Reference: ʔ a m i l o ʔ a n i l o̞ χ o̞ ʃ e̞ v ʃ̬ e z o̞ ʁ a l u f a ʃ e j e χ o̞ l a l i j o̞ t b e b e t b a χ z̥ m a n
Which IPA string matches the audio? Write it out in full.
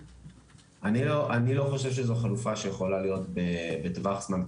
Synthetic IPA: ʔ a n i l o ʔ a n i l o̞ χ o̞ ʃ e̞ v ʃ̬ e z o̞ χ a l u f a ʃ e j e χ o̞ l a l i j o̞ t b e b e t v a χ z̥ m a n